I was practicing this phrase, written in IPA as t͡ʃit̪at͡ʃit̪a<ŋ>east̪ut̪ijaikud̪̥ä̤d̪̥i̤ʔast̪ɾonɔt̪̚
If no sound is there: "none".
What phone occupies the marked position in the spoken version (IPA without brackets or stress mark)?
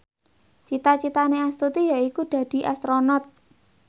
n